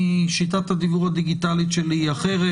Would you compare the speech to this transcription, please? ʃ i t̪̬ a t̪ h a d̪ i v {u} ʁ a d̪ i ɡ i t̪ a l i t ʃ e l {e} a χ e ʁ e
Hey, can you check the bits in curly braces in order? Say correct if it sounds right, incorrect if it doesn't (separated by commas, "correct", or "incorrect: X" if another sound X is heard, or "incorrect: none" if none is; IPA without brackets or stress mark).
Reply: correct, incorrect: i